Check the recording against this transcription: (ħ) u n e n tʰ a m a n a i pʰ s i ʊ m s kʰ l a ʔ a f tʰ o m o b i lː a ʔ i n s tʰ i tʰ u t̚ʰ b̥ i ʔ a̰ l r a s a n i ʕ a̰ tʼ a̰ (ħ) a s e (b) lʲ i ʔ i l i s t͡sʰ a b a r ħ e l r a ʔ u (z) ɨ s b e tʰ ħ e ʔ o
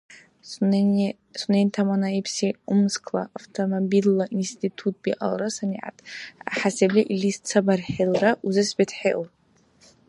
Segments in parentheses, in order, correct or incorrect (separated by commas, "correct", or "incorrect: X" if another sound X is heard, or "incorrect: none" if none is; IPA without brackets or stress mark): incorrect: s, correct, correct, correct